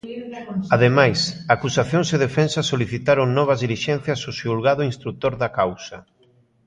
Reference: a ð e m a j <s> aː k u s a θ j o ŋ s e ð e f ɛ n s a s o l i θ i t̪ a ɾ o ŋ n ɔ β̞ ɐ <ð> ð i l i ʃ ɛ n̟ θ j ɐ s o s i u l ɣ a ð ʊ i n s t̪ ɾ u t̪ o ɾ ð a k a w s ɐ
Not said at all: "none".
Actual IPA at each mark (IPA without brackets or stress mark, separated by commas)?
s, z